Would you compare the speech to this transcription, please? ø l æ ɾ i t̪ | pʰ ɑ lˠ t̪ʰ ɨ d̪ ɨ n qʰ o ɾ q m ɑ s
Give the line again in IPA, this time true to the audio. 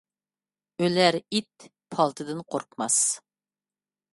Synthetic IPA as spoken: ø l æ ɾ i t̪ | pʰ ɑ lˠ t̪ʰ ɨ d̪ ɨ n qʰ o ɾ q m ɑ s